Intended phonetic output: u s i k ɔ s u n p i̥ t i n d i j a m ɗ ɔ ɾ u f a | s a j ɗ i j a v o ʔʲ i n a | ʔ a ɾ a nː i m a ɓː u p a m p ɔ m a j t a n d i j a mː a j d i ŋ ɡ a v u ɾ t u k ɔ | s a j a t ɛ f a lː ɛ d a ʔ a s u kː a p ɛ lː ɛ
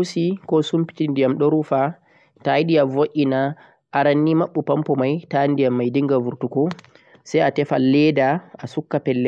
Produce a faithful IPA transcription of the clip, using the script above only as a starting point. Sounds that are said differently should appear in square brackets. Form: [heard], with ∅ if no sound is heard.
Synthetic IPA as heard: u s i k ɔ s u [m] p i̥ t i n d i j a m ɗ ɔ ɾ u f a | [t] a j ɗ i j a v o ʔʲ i n a | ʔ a ɾ a nː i m a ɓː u p a m p ɔ m a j t a n d i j a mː a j d i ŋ ɡ a v u ɾ t u k ɔ | s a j a t ɛ f a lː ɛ d a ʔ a s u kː a p ɛ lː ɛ